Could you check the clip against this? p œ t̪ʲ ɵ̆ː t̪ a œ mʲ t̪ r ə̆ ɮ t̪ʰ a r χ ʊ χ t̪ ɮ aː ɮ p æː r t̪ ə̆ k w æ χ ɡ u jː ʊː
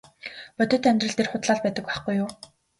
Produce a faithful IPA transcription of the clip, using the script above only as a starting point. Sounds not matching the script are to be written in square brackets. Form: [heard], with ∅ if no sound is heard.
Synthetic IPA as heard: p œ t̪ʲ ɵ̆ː t̪ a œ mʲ t̪ r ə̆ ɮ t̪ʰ [e] r χ ʊ [∅] t̪ ɮ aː ɮ p æː [∅] t̪ ə̆ k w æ χ ɡ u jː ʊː